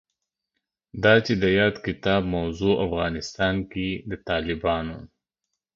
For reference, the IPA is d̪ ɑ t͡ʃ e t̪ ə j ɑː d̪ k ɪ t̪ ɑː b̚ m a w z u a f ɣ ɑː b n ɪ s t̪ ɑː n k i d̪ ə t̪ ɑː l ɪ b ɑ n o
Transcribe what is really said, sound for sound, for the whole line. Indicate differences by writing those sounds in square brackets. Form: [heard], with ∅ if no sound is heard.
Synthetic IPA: d̪ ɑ t͡ʃ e [d̪] ə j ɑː d̪ k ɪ t̪ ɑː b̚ m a w z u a f ɣ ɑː [∅] n ɪ s t̪ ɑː n k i d̪ ə t̪ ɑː l ɪ b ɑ n o